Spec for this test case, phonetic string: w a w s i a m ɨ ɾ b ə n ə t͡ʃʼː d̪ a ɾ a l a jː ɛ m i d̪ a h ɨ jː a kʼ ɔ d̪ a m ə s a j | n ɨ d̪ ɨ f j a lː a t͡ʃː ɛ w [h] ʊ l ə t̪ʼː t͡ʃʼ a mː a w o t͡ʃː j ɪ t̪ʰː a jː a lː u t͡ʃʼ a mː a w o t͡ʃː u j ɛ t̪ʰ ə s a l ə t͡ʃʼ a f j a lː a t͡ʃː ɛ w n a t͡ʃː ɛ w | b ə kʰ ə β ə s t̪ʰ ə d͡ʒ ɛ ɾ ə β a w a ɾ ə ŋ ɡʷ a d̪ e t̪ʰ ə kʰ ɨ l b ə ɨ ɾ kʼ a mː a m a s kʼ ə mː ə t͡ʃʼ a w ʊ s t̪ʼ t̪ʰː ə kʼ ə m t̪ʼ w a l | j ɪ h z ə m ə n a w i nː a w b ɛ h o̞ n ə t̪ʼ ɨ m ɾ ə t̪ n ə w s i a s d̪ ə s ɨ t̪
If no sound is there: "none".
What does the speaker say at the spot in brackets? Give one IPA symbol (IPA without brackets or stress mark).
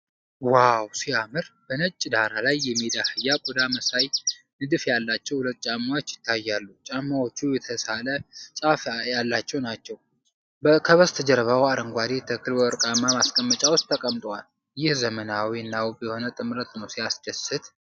h